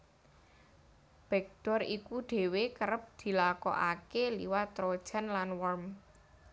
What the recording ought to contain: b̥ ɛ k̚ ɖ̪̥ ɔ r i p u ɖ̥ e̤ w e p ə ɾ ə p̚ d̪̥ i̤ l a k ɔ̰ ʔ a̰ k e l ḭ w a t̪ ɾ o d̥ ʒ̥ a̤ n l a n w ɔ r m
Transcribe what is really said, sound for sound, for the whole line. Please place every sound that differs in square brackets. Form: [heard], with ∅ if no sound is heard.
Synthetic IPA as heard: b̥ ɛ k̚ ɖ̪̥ ɔ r i [k] u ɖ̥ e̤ w e [k] ə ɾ ə p̚ d̪̥ i̤ l a k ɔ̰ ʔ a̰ k e l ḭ w a t̪ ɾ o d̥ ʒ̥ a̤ n l a n w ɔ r m